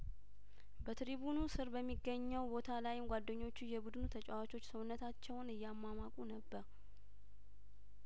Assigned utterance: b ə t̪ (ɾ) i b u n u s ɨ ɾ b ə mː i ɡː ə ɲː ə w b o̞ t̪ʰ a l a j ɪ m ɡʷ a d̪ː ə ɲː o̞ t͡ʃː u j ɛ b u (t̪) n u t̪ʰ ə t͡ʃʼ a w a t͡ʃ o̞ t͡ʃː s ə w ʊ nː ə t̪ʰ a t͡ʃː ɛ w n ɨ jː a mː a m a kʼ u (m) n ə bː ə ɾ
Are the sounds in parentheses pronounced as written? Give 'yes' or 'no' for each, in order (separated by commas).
yes, no, no